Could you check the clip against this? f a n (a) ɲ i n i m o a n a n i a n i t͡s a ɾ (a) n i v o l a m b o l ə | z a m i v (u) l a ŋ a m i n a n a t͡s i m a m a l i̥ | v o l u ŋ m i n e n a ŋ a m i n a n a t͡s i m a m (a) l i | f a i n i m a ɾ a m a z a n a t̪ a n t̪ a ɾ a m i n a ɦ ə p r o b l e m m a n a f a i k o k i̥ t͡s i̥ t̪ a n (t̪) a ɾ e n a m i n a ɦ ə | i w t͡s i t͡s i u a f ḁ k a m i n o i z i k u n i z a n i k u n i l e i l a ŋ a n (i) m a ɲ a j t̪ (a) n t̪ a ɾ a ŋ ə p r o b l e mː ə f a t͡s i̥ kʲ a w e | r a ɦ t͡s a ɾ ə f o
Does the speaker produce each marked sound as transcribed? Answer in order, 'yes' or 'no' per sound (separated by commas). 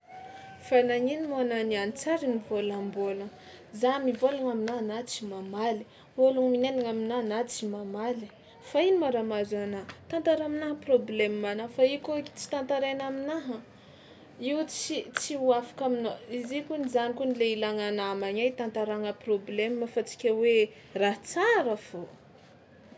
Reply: yes, no, no, yes, yes, no, yes